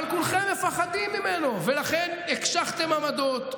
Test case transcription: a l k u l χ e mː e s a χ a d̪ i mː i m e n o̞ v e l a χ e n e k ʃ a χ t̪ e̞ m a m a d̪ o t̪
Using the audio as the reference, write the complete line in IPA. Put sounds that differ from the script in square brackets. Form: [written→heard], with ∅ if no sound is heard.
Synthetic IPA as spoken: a l k u l χ e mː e [s→f] a χ a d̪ i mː i m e n o̞ v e l a χ e n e k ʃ a χ t̪ e̞ m a m a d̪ o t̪